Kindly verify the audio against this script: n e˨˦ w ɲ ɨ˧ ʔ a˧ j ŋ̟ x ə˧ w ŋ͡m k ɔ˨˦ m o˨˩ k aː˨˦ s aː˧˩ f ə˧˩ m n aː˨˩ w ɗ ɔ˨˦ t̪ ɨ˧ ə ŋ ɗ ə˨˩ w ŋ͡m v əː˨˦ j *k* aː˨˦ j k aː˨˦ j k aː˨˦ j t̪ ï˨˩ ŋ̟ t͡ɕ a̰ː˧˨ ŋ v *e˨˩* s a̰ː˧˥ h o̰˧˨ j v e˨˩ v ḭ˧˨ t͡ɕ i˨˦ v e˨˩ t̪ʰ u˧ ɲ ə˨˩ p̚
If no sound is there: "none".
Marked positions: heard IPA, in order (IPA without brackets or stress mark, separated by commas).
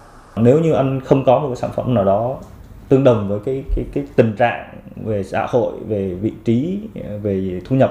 k, e˨˩